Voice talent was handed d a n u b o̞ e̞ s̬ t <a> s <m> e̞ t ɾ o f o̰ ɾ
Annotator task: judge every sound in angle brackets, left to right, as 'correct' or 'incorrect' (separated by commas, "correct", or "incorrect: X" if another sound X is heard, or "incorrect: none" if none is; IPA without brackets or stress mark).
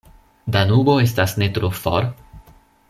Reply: correct, incorrect: n